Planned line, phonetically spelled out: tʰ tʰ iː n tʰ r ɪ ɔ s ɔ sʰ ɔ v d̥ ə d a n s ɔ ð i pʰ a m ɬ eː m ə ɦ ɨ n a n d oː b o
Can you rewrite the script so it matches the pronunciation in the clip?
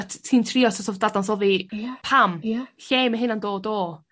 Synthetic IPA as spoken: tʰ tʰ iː n tʰ r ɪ ɔ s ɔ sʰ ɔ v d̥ a d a n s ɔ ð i pʰ a m ɬ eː m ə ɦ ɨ n a n d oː d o